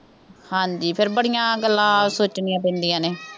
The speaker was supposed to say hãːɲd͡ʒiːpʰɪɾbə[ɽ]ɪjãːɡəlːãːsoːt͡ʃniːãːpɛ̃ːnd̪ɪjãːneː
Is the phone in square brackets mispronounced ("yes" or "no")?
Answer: no